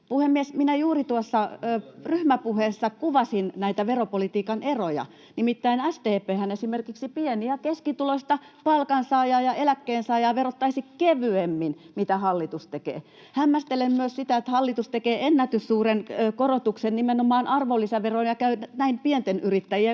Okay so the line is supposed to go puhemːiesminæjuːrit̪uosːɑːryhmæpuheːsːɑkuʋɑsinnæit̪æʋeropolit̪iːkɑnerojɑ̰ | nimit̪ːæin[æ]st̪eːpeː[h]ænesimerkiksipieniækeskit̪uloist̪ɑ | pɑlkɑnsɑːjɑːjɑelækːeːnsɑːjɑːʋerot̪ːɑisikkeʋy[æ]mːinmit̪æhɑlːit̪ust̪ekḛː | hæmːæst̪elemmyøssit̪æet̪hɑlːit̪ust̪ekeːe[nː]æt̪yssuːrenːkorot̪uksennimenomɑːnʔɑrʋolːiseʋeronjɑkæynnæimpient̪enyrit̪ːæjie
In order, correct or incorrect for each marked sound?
correct, correct, incorrect: e, correct

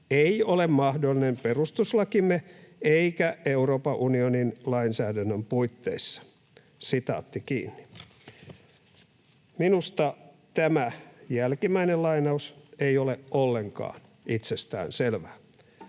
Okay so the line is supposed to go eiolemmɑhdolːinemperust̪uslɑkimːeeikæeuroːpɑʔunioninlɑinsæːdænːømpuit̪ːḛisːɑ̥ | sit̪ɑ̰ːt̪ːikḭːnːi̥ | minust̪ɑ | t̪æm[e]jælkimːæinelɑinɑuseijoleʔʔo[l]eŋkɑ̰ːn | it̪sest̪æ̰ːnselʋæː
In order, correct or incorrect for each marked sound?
incorrect: æ, incorrect: lː

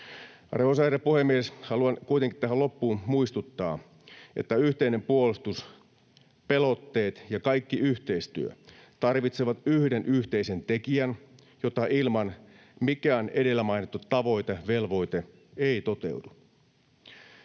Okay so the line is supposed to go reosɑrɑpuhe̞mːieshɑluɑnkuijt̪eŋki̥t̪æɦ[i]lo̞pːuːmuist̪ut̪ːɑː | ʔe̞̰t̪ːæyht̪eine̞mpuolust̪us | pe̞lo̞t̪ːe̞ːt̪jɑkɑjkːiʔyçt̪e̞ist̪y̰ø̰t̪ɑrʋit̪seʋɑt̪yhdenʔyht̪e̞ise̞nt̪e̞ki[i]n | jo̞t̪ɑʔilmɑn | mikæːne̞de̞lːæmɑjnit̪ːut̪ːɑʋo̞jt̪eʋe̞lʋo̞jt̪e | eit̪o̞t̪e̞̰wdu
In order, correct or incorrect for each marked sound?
incorrect: æ, incorrect: æ

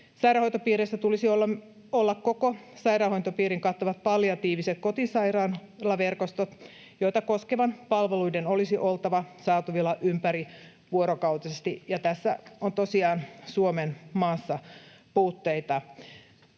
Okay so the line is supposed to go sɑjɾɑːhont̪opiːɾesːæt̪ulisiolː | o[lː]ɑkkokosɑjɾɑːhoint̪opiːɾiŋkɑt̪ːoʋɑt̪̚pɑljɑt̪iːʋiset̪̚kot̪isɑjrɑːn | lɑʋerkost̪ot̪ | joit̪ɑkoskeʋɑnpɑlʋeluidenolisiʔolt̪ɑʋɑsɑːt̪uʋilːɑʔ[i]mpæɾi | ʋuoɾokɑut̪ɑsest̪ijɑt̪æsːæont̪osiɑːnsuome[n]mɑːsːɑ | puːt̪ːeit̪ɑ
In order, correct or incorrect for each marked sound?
correct, incorrect: y, correct

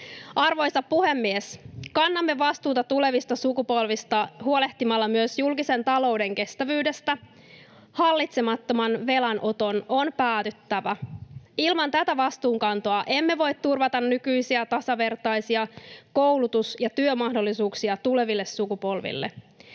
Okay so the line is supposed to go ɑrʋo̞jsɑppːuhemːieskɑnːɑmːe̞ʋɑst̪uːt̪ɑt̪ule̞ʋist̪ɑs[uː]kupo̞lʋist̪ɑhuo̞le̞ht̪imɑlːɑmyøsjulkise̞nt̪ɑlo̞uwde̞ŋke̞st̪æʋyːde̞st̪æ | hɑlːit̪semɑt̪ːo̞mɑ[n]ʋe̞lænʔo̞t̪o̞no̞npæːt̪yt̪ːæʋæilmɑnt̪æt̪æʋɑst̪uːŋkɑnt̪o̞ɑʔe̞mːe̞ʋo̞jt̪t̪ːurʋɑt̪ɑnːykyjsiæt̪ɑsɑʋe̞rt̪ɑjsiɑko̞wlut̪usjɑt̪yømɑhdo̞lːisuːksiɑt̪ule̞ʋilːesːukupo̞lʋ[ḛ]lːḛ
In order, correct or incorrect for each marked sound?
incorrect: u, correct, incorrect: ḭ

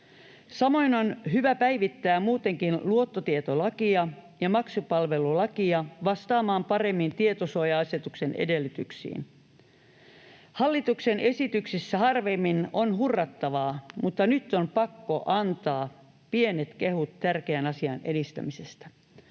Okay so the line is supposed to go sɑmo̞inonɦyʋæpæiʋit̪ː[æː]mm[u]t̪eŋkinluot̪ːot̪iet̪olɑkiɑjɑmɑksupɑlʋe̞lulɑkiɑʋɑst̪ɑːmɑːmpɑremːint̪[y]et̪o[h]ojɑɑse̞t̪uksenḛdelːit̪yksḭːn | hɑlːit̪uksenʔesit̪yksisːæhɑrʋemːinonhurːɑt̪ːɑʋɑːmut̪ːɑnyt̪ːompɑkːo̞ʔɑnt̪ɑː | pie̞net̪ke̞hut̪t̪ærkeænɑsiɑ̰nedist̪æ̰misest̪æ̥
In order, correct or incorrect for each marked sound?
correct, incorrect: uː, incorrect: i, incorrect: s

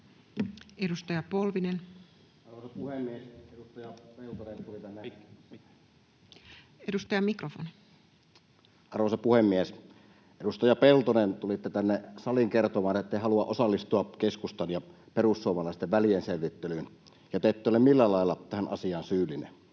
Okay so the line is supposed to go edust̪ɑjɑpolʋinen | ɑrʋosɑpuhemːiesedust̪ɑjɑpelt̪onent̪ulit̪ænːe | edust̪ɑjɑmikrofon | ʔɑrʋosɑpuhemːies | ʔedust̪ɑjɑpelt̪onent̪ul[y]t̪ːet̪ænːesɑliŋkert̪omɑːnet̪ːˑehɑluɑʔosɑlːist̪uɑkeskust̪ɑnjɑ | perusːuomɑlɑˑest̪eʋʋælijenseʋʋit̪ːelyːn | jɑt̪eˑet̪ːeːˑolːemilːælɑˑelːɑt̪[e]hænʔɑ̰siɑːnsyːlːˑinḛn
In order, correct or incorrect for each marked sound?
incorrect: i, incorrect: æ

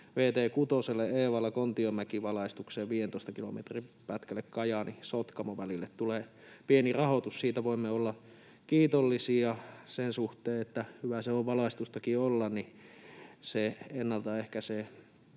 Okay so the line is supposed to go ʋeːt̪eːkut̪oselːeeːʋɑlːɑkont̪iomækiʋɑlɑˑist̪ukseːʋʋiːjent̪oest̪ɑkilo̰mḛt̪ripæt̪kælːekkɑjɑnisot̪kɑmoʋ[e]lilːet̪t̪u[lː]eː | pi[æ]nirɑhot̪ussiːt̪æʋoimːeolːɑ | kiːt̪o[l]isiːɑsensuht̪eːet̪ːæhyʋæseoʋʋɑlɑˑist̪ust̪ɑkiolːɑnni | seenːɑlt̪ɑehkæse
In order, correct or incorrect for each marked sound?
incorrect: æ, incorrect: l, incorrect: e, incorrect: lː

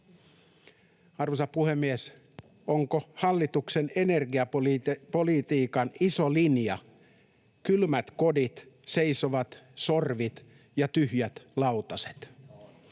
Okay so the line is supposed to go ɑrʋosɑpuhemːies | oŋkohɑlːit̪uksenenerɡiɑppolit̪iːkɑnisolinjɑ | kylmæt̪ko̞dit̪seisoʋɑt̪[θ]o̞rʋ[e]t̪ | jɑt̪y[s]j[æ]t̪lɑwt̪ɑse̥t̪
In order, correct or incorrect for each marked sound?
incorrect: s, incorrect: i, incorrect: h, correct

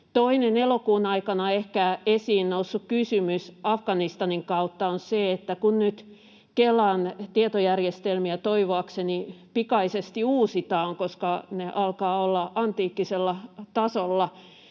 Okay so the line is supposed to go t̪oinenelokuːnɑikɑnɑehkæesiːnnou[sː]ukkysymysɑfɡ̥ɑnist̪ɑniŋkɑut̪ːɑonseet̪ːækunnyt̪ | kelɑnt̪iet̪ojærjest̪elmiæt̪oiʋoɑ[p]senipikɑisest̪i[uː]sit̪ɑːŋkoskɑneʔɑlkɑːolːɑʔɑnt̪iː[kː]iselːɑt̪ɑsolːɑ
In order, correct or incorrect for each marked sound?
correct, incorrect: k, correct, correct

